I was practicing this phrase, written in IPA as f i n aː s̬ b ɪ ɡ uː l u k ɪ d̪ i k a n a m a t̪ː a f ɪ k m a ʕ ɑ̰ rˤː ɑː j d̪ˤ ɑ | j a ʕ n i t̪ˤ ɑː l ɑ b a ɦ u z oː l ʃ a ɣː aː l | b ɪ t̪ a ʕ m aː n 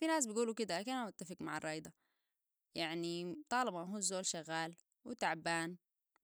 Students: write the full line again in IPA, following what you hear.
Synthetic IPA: f i n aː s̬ b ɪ ɡ uː l u k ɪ d̪ a k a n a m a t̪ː a f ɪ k m a ʕ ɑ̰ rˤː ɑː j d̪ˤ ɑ | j a ʕ n i t̪ˤ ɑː l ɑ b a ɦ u z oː l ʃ a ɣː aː l | w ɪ t̪ a ʕ b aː n